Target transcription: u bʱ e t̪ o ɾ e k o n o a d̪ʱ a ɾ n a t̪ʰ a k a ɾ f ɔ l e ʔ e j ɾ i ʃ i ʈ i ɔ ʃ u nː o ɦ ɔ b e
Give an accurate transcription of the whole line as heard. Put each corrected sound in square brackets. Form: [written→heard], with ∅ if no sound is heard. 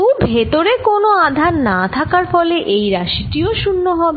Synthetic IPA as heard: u bʱ e t̪ o ɾ e k o n o a d̪ʱ a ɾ n a t̪ʰ a k a ɾ f ɔ l e ʔ e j ɾ [i→a] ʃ i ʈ i [ɔ→o] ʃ u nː o ɦ ɔ b e